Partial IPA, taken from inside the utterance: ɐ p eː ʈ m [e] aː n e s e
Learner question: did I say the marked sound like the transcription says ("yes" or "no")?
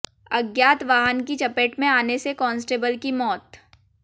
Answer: no